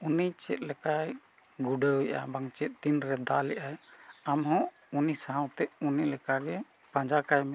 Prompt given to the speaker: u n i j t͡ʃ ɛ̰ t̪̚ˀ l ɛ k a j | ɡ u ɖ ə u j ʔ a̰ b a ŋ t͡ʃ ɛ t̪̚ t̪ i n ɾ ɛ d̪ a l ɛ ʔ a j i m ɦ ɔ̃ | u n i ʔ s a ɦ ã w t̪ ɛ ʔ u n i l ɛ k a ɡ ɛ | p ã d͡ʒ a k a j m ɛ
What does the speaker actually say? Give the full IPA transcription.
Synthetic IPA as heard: u n i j t͡ʃ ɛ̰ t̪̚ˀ l ɛ k a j | ɡ u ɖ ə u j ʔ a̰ b a ŋ t͡ʃ ɛ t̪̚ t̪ i n ɾ ɛ d̪ a l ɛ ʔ a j a m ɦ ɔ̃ | u n i s a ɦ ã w t̪ ɛ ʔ u n i l ɛ k a ɡ ɛ | p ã d͡ʒ a k a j m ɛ